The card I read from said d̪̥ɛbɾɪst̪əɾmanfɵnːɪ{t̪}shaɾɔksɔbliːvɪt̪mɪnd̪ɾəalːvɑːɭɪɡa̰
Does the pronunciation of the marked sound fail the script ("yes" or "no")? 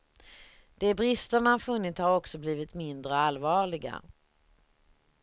no